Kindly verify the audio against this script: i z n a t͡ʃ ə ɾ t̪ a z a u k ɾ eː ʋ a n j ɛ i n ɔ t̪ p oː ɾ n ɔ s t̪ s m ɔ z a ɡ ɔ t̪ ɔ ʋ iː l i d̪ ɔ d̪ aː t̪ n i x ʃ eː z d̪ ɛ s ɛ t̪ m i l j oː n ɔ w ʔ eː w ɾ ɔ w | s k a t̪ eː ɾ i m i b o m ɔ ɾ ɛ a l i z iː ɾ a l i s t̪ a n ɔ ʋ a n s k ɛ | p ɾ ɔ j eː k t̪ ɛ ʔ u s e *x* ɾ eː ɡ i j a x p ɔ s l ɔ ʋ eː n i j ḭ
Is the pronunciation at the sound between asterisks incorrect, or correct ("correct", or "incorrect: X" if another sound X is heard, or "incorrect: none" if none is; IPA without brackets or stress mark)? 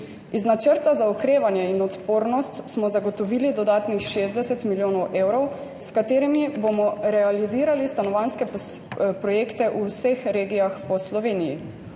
correct